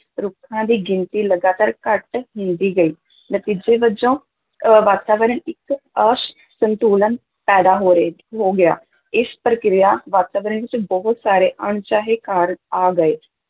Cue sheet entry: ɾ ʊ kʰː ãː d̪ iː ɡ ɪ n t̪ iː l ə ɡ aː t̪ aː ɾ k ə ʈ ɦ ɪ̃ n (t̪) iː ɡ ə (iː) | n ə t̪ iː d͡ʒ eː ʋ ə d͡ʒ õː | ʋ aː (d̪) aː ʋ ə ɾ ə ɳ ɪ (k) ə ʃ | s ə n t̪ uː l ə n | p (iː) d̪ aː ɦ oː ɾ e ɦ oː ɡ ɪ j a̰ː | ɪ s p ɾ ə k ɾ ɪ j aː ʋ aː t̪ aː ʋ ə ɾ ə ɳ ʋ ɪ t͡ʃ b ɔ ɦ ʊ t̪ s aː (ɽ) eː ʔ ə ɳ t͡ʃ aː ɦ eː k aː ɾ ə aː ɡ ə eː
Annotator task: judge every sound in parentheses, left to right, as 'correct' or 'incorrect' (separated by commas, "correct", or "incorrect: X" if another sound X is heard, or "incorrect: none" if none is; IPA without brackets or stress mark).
incorrect: d̪, correct, incorrect: t̪, correct, incorrect: ɛː, incorrect: ɾ